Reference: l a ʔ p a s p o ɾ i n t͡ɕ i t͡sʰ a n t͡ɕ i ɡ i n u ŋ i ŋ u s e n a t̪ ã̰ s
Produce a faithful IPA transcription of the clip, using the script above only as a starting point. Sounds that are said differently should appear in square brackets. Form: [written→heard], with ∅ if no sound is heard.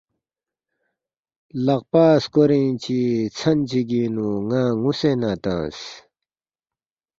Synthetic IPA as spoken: l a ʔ p a s [p→k] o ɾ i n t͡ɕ i t͡sʰ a n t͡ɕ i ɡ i n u ŋ [i→a] ŋ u s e n a t̪ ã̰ s